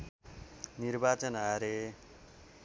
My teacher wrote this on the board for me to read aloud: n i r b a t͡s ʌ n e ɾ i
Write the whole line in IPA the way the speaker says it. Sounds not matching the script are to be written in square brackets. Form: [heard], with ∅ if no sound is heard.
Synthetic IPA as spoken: n i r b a t͡s ʌ n [a] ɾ [e]